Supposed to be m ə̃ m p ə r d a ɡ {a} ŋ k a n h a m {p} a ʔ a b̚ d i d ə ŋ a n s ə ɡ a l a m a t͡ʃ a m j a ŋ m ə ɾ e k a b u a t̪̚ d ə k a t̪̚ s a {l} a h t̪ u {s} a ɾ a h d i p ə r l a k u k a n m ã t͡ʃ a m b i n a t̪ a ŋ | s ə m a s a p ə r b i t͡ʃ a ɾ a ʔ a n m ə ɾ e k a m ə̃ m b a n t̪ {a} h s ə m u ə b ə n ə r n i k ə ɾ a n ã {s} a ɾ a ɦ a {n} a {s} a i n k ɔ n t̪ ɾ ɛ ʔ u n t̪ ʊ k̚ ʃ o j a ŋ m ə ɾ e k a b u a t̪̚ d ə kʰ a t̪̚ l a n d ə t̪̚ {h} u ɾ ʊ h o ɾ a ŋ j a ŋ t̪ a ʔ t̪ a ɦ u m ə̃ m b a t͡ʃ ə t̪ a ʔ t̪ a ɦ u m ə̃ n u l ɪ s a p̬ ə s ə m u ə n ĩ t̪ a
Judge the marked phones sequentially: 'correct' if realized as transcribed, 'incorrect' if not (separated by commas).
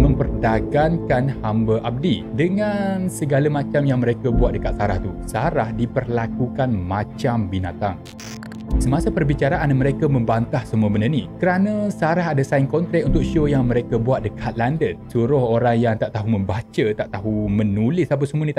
correct, incorrect, incorrect, correct, correct, correct, incorrect, correct, incorrect